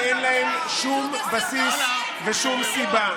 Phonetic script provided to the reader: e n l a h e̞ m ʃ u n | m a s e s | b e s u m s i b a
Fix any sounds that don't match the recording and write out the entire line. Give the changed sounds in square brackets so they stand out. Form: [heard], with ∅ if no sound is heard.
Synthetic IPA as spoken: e n l a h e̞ m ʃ u [m] | [b] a s [i] s | [v] e [ʃ] u m s i b a